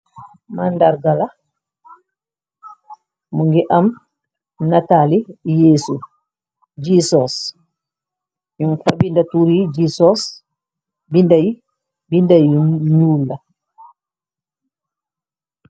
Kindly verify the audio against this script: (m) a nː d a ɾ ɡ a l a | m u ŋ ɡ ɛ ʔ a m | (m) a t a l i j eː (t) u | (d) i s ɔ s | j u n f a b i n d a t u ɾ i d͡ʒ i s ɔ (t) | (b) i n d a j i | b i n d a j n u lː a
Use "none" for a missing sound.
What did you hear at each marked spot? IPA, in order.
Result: m, n, s, d͡ʒ, s, b

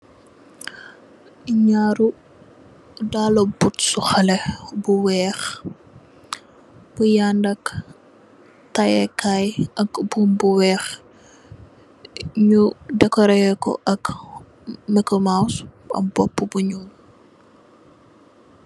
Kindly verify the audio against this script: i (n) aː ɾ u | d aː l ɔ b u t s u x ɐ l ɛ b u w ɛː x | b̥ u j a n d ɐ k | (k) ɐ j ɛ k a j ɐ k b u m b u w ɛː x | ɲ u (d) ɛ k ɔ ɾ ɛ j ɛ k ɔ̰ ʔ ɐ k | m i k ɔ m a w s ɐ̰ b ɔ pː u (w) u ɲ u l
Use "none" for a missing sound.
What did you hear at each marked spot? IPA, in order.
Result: ɲ, t, d, b

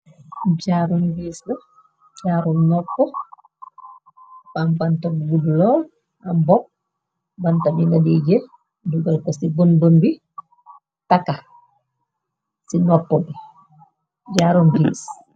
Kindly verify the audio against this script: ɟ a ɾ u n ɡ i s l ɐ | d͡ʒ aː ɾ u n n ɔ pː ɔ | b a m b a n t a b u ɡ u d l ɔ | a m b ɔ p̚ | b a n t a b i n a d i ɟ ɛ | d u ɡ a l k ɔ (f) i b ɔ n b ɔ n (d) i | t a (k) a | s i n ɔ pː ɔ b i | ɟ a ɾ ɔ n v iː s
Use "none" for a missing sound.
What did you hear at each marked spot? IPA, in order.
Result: s, b, k

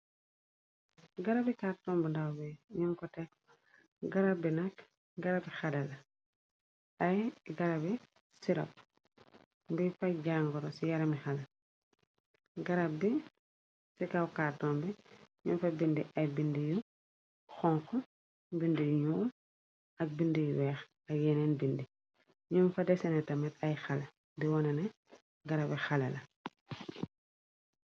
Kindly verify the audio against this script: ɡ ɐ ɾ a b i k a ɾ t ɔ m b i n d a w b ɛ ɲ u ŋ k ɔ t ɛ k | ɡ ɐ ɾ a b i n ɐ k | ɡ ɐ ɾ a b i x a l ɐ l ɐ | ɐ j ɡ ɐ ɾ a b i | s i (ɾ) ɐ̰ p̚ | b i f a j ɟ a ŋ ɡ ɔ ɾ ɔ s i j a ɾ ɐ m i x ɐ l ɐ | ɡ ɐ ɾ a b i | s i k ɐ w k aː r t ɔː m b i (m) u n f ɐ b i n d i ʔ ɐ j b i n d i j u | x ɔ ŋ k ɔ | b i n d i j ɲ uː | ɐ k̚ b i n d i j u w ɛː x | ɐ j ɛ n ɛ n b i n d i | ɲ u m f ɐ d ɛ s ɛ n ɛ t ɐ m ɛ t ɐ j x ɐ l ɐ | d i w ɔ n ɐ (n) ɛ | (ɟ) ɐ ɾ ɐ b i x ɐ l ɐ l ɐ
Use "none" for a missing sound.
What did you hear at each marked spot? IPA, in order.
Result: ɾ, ɲ, n, ɡ

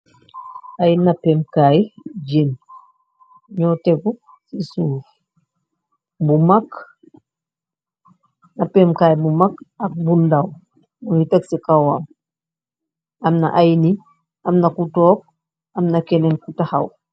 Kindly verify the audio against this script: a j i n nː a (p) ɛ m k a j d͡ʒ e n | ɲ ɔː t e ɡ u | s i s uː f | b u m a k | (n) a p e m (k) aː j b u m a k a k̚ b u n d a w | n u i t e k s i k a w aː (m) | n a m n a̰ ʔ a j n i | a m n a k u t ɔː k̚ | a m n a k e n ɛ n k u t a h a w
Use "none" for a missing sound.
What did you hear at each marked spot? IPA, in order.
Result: p, n, k, m

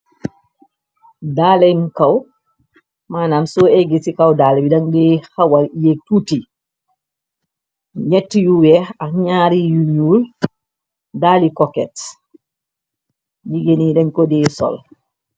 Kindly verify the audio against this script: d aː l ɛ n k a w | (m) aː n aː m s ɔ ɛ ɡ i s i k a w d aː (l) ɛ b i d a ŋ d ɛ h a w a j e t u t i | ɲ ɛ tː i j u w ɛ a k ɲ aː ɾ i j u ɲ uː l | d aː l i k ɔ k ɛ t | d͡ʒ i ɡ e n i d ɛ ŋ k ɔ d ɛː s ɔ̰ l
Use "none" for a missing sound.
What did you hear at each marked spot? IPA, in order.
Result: m, l

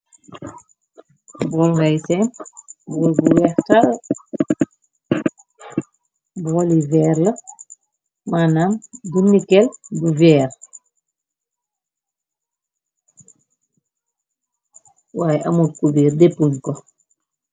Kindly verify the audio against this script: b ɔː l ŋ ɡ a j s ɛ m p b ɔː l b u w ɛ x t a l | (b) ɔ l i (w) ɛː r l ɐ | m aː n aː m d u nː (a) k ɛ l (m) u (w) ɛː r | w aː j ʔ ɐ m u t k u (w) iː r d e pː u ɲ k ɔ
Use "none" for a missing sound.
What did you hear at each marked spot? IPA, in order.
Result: b, v, i, b, v, b

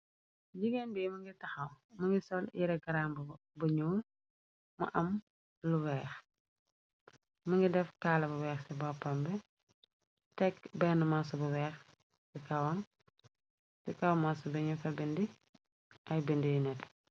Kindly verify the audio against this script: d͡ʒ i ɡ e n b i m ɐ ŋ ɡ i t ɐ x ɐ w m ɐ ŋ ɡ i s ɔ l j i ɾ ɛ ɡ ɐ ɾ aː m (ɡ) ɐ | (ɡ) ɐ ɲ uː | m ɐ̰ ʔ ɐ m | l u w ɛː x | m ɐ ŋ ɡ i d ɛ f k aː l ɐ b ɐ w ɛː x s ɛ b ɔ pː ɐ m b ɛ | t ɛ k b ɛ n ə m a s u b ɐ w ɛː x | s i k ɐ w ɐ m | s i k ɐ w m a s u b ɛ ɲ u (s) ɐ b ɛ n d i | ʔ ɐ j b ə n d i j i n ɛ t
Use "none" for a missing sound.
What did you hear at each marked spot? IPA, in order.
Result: b, b, f

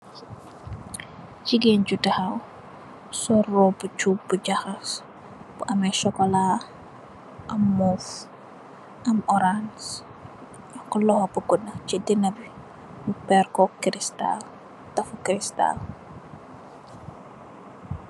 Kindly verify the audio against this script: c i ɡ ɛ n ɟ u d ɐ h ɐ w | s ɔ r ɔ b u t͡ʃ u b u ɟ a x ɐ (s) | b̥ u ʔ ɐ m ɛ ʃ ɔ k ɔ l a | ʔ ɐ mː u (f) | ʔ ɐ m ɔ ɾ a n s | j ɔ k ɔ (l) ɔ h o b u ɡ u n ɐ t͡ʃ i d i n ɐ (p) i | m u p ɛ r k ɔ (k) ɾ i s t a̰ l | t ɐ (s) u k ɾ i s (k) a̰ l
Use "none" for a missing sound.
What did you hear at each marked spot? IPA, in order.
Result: s, f, l, b, k, f, t

